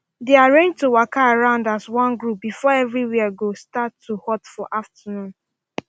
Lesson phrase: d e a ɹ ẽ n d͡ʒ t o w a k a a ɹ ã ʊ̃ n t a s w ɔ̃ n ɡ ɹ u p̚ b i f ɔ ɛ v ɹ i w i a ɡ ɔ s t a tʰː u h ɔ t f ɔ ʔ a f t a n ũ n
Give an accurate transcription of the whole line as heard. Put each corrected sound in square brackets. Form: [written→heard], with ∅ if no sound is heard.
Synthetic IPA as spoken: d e a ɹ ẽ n d͡ʒ t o w a k a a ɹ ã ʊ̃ n [t→d] a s w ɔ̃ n ɡ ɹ u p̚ b i f ɔ ɛ v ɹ i w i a ɡ [ɔ→o] s t a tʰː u h ɔ t f ɔ ʔ a f t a n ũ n